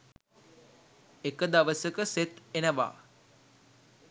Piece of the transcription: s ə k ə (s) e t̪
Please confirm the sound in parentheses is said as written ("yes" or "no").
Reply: yes